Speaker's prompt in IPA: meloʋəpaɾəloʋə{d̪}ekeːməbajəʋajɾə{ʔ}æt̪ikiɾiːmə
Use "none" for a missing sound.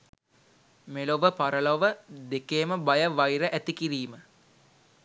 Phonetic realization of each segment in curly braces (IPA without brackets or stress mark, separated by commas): d̪, ʔ